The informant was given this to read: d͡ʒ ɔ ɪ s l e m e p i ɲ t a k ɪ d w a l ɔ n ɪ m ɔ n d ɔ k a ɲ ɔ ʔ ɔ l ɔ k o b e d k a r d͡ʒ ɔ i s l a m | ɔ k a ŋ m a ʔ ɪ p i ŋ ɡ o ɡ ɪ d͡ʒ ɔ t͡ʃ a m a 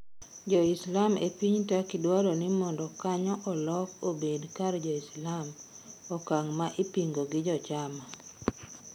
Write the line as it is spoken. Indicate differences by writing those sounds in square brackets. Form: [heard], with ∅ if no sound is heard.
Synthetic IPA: d͡ʒ ɔ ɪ s l [a] m e p i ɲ t a k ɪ d w a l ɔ n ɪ m ɔ n d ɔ k a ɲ ɔ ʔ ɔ l ɔ k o b e d k a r d͡ʒ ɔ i s l a m | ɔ k a ŋ m a ʔ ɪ p i ŋ ɡ o ɡ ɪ d͡ʒ ɔ t͡ʃ a m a